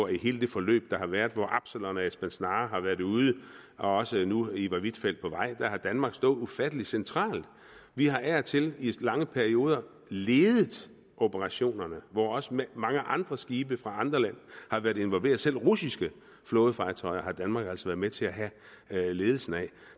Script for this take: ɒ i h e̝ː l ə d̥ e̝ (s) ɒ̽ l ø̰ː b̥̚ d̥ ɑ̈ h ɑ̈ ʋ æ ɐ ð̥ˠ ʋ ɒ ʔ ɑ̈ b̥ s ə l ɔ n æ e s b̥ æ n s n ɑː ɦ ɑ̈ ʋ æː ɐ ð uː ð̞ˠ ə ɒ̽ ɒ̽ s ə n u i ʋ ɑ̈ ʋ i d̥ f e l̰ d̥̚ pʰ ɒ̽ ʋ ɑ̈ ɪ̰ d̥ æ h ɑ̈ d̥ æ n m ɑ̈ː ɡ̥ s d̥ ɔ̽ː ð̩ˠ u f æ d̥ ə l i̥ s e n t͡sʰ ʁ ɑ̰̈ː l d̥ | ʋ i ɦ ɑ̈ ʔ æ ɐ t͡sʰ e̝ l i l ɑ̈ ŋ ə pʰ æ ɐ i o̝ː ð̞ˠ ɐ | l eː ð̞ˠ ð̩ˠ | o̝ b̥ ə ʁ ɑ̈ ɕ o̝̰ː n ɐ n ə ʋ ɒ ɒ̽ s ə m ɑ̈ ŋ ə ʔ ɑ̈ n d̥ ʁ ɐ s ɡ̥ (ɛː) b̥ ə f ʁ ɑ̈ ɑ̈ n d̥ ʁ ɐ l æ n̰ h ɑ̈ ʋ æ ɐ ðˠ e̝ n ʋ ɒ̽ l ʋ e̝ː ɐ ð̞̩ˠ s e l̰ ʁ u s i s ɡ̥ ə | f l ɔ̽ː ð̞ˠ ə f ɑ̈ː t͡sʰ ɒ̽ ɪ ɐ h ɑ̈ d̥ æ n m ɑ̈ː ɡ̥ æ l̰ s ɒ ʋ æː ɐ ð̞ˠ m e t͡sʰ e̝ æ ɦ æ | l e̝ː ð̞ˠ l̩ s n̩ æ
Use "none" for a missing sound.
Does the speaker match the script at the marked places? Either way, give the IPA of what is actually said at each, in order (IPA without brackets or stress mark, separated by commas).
f, iː